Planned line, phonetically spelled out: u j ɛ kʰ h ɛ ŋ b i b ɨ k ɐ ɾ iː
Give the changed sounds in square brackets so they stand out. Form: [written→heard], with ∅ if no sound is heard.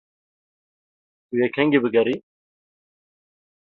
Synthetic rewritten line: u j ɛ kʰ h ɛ ŋ [b→ɡ] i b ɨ [k→ɡ] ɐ ɾ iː